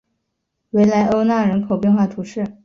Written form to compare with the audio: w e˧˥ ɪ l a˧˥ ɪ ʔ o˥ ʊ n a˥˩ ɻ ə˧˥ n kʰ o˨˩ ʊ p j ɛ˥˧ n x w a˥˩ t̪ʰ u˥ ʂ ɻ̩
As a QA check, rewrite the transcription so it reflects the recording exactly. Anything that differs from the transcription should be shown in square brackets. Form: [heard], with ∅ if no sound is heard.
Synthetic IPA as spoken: w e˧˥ ɪ l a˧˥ ɪ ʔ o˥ ʊ n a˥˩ ɻ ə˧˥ n kʰ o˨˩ ʊ p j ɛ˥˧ n x w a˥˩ t̪ʰ [u˧˥] ʂ ɻ̩